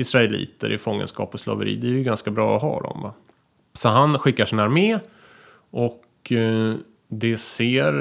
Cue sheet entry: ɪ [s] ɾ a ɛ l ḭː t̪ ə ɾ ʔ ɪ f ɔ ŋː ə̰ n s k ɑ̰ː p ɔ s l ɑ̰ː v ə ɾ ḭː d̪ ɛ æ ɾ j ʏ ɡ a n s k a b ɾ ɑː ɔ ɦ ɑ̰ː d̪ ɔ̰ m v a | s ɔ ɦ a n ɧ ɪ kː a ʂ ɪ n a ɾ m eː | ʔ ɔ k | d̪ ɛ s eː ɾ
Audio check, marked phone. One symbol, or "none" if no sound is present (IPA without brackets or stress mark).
s